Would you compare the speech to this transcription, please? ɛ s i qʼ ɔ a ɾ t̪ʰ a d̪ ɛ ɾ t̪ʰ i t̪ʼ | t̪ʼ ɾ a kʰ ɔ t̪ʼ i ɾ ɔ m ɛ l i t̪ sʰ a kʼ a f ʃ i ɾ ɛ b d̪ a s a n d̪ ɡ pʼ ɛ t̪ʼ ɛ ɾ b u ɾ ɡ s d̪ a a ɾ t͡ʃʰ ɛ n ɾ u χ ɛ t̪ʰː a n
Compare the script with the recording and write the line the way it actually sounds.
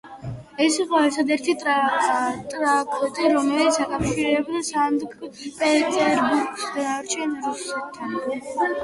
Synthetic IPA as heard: ɛ s i qʼ ɔ ɛ ɾ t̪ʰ a d̪ ɛ ɾ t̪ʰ i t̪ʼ | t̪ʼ ɾ a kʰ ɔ t̪ʼ i ɾ ɔ m ɛ l i t̪ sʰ a kʼ a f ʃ i ɾ ɛ b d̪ a s a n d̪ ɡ pʼ ɛ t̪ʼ ɛ ɾ b u ɾ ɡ s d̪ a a ɾ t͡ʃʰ ɛ n ɾ u s ɛ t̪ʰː a n

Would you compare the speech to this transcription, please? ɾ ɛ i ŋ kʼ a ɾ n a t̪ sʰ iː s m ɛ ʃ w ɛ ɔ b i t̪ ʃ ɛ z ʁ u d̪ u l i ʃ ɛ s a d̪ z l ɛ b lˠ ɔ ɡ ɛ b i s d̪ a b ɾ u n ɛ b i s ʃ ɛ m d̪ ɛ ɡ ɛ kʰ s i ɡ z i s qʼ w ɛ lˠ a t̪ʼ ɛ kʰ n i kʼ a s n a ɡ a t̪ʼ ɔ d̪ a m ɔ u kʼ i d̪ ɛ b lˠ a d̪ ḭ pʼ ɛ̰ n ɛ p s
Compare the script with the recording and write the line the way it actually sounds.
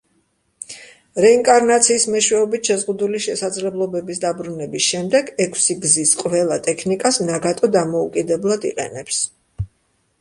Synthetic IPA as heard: ɾ ɛ i ŋ kʼ a ɾ n a t̪ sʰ iː s m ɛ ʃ w ɛ ɔ b i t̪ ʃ ɛ z ʁ u d̪ u l i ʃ ɛ s a d̪ z l ɛ b lˠ ɔ b ɛ b i s d̪ a b ɾ u n ɛ b i s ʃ ɛ m d̪ ɛ ɡ ɛ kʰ s i ɡ z i s qʼ v ɛ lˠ a t̪ʼ ɛ kʰ n i kʼ a s n a ɡ a t̪ʼ ɔ d̪ a m ɔ u kʼ i d̪ ɛ b lˠ a d̪ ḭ qʼ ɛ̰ n ɛ p s

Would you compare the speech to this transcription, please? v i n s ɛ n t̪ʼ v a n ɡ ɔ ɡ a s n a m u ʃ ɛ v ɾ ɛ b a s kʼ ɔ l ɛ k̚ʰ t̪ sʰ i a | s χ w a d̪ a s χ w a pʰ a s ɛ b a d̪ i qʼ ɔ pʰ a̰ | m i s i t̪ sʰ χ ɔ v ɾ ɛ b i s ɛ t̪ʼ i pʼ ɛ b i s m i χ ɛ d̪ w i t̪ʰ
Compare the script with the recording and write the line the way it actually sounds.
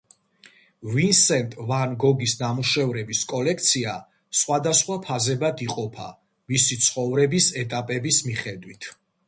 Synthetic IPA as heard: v i n s ɛ n t̪ʼ v a n ɡ ɔ ɡ i s n a m u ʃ ɛ v ɾ ɛ b i s kʼ ɔ l ɛ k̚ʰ t̪ sʰ i a | s χ w a d̪ a s χ w a pʰ a z ɛ b a d̪ i qʼ ɔ pʰ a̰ | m i s i t̪ sʰ χ ɔ v ɾ ɛ b i s ɛ t̪ʼ a pʼ ɛ b i s m i χ ɛ d̪ w i t̪ʰ

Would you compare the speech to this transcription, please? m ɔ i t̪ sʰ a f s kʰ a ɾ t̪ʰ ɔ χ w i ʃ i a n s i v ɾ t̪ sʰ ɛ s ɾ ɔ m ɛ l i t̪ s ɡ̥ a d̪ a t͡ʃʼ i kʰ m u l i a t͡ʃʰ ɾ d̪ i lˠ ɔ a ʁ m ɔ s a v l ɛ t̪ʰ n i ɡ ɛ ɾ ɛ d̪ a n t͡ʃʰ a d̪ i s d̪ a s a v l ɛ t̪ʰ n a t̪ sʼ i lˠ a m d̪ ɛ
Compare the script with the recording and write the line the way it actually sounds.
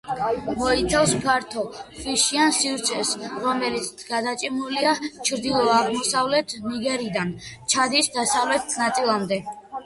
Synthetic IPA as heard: m ɔ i t̪ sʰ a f s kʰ a ɾ t̪ʰ ɔ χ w i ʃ i a n s i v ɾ t̪ sʰ ɛ s ɾ ɔ m ɛ l i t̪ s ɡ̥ a d̪ a t͡ʃʼ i m u l i a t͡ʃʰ ɾ d̪ i lˠ ɔ a ʁ m ɔ s a v l ɛ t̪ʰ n i ɡ ɛ ɾ i d̪ a n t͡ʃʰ a d̪ i s d̪ a s a v l ɛ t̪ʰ n a t̪ sʼ i lˠ a m d̪ ɛ

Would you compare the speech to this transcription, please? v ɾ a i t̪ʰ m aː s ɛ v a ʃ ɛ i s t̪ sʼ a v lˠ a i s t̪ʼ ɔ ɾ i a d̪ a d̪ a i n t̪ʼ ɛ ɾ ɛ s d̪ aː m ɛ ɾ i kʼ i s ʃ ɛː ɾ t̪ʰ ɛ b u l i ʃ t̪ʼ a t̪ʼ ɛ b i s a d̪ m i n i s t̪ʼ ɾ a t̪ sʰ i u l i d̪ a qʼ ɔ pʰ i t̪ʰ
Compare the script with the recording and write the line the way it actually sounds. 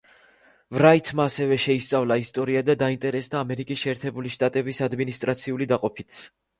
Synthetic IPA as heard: v ɾ a i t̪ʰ m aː s ɛ v ɛ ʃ ɛ i s t̪ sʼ a v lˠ a i s t̪ʼ ɔ ɾ i a d̪ a d̪ a i n t̪ʼ ɛ ɾ ɛ s d̪ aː m ɛ ɾ i kʼ i s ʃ ɛː ɾ t̪ʰ ɛ b u l i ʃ t̪ʼ a t̪ʼ ɛ b i s a d̪ m i n i s t̪ʼ ɾ a t̪ sʰ i u l i d̪ a qʼ ɔ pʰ i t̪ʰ

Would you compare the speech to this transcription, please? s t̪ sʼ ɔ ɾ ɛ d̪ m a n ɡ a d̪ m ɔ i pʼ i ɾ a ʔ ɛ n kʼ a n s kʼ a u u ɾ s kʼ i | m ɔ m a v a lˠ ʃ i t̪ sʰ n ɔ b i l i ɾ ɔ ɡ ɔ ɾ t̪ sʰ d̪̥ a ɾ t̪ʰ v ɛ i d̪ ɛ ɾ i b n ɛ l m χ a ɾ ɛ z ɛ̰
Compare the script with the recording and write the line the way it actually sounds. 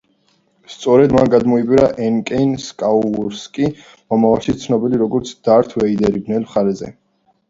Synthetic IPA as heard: s t̪ sʼ ɔ ɾ ɛ d̪ m a n ɡ a d̪ m ɔ i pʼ i ɾ a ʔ ɛ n kʼ ɛ n s kʼ a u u ɾ s kʼ i | m ɔ m a v a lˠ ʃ i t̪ sʰ n ɔ b i l i ɾ ɔ ɡ ɔ ɾ t̪ sʰ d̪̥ a ɾ t̪ʰ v ɛ i d̪ ɛ ɾ i b n ɛ l m χ a ɾ ɛ z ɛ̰

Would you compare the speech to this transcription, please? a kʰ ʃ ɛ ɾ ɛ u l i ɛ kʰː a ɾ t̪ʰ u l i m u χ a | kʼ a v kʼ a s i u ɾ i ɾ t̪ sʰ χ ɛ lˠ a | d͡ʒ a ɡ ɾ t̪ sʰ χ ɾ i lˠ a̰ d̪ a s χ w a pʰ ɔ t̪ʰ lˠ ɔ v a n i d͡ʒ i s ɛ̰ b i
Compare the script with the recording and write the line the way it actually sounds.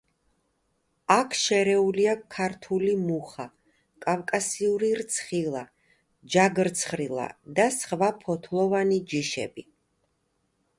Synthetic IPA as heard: a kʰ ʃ ɛ ɾ ɛ u l i a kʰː a ɾ t̪ʰ u l i m u χ a | kʼ a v kʼ a s i u ɾ i ɾ t̪ sʰ χ i lˠ a | d͡ʒ a ɡ ɾ t̪ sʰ χ ɾ i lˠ a̰ d̪ a s χ v a pʰ ɔ t̪ʰ lˠ ɔ v a n i d͡ʒ i ʃ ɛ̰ b i

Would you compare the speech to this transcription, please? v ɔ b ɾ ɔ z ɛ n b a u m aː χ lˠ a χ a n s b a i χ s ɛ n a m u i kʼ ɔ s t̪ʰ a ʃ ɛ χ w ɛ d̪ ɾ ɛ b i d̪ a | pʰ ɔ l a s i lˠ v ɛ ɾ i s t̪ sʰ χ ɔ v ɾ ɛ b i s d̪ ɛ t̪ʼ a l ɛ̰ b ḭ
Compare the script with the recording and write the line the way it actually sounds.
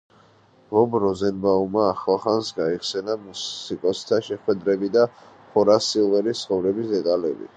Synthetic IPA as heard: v ɔ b ɾ ɔ z ɛ n b a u m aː χ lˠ a χ a n s ɡ a i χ s ɛ n a m u i kʼ ɔ s t̪ʰ a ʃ ɛ χ w ɛ d̪ ɾ ɛ b i d̪ a | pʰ ɔ ɾ a s i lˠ v ɛ ɾ i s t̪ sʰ χ ɔ v ɾ ɛ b i s d̪ ɛ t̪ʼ a l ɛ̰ b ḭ

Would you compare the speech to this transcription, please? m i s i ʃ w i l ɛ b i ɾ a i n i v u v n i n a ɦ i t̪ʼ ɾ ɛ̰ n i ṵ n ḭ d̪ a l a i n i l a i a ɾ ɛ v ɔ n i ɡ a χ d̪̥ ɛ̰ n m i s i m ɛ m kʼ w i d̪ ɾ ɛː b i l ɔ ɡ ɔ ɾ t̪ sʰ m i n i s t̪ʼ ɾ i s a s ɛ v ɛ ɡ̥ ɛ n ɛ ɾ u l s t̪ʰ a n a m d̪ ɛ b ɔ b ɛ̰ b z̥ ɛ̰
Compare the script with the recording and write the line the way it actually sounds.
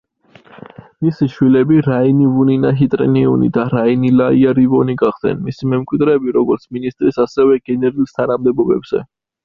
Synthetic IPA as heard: m i s i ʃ w i l ɛ b i ɾ a i n i v u n i n a ɦ i t̪ʼ ɾ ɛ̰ n i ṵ n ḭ d̪ a ɾ a i n i l a i a ɾ i v ɔ n i ɡ a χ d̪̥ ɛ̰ n m i s i m ɛ m kʼ w i d̪ ɾ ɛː b i ɾ ɔ ɡ ɔ ɾ t̪ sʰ m i n i s t̪ʼ ɾ i s a s ɛ v ɛ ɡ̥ ɛ n ɛ ɾ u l s t̪ʰ a n a m d̪ ɛ b ɔ b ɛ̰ b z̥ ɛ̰

